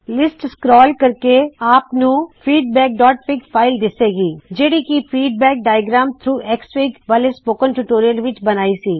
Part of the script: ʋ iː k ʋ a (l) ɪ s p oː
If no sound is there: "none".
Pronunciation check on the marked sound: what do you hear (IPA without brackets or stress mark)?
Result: l